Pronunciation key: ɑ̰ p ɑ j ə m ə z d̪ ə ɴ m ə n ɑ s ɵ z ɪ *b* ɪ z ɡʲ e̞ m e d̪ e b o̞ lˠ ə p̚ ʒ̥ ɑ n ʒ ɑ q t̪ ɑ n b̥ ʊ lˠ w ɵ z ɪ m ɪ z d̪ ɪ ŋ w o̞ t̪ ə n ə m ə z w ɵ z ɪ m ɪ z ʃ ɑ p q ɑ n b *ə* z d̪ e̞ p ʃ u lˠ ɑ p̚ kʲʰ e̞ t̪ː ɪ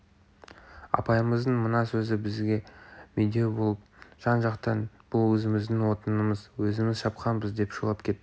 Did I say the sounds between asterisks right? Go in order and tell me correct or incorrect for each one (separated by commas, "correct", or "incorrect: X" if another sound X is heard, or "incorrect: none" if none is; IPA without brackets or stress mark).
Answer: correct, correct